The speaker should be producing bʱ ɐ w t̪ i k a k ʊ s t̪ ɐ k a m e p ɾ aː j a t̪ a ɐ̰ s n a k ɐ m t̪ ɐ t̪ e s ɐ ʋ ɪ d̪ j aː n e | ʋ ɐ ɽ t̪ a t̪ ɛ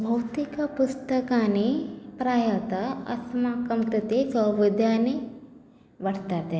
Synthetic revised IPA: bʱ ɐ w t̪ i k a p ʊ s t̪ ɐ k a n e p ɾ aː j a t̪ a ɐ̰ s m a k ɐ m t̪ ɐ t̪ e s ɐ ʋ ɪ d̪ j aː n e | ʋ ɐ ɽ t̪ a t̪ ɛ